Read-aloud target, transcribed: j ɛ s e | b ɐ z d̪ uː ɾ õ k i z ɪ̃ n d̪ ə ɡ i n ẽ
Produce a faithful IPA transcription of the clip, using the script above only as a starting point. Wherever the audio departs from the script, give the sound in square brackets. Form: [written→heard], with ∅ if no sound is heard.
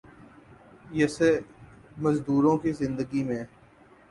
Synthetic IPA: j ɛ s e | [b→m] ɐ z d̪ uː ɾ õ k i z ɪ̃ n d̪ ə ɡ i [n→m] ẽ